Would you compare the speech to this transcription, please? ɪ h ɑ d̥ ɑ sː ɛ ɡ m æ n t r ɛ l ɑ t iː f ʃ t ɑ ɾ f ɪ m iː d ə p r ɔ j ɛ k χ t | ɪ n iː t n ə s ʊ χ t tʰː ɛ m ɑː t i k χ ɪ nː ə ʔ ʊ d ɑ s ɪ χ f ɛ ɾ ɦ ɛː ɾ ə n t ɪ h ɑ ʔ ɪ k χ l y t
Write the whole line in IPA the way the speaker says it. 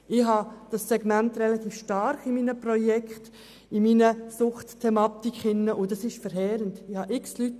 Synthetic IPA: ɪ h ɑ d̥ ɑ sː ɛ ɡ m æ n t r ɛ l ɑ t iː f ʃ t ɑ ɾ χ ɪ m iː n ə p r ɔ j ɛ k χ t | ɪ m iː n ə s ʊ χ t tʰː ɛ m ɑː t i k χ ɪ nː ə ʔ ʊ d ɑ s ɪ ʃ f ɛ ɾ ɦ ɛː ɾ ə n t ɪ h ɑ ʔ ɪ k s l y t

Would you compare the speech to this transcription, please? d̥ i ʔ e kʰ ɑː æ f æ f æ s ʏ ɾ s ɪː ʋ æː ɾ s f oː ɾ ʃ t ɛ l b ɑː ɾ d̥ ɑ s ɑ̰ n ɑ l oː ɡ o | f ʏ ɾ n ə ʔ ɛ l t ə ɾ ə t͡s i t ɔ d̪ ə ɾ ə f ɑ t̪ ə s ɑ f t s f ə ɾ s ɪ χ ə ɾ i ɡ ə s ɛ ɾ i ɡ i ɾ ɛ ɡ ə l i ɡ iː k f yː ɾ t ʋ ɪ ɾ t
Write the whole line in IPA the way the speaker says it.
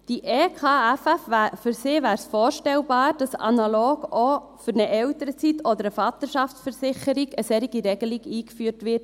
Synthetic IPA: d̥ i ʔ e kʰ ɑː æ f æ f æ f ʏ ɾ s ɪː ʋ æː ɾ s f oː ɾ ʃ t ɛ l b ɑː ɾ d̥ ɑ s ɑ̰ n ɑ l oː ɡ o | f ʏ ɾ n ə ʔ ɛ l t ə ɾ ə t͡s i t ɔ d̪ ə ɾ ə f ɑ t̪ ə ʃ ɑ f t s f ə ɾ s ɪ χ ə ɾ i ɡ ə s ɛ ɾ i ɡ i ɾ ɛ ɡ ə l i ɡ iː k f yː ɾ t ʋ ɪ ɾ t

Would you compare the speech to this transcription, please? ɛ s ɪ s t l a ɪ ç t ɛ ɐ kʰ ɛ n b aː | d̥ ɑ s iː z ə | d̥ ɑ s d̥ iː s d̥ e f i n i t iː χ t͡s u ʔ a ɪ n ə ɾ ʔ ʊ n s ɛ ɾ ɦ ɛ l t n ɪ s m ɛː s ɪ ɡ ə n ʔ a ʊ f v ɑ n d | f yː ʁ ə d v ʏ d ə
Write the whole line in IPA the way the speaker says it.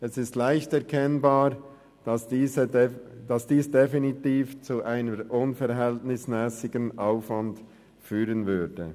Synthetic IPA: ɛ s ɪ s t l a ɪ ç t ɛ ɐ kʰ ɛ n b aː | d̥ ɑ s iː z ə | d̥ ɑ s d̥ iː s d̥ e f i n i t iː f t͡s u ʔ a ɪ n ə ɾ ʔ ʊ n f ɛ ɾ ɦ ɛ l t n ɪ s m ɛː s ɪ ɡ ə n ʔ a ʊ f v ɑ n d | f yː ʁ ə n v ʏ d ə

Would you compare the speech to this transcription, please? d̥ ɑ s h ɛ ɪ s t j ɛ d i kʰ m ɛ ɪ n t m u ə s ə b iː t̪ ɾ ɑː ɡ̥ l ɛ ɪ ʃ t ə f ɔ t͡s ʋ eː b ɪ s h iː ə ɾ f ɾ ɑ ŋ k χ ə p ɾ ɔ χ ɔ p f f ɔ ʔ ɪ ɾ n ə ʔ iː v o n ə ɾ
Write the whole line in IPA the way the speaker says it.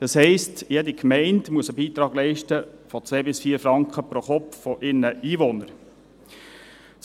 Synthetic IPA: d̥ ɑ s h ɛ ɪ s t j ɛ d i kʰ m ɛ ɪ n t m u ə s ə b iː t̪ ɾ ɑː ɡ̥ l ɛ ɪ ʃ t ə f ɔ t͡s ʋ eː b ɪ s f iː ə ɾ f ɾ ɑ ŋ k χ ə p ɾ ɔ χ ɔ p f f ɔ ʔ ɪ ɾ n ə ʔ iː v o n ə ɾ

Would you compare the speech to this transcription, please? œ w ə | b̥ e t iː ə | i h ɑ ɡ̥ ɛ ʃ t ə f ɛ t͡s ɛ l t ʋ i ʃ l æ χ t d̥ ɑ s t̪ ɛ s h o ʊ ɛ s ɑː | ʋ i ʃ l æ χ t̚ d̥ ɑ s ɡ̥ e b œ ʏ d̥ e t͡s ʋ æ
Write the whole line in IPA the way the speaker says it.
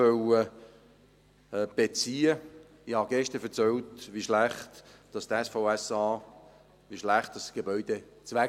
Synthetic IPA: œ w ə | b̥ e t͡s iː ə | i h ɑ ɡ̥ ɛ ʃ t ə f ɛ t͡s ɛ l t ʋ i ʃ l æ χ t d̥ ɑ s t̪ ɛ s f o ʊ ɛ s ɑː | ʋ i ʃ l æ χ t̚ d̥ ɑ s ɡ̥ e b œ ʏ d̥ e t͡s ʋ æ

